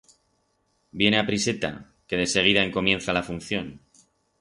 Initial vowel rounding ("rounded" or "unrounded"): unrounded